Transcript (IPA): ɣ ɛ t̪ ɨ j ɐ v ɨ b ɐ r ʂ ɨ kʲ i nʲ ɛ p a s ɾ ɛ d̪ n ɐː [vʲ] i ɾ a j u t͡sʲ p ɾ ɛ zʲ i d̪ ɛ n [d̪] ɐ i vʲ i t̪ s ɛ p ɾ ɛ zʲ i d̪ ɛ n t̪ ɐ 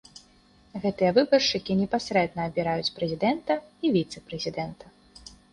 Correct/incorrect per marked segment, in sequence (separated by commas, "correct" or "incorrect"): incorrect, incorrect